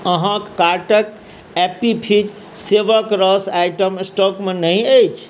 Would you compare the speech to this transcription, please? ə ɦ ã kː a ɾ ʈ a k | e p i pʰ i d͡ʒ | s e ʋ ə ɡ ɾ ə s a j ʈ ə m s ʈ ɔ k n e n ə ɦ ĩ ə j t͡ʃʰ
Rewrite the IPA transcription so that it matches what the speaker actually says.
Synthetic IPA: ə ɦ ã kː a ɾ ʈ ə k | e p i pʰ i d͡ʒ | s e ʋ ə k ɾ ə s a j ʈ ə m s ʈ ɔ k m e n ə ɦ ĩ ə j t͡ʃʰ